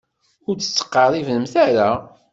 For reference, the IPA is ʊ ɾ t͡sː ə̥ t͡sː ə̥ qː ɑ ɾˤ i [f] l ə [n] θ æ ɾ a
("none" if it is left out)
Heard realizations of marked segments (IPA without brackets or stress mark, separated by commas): v, m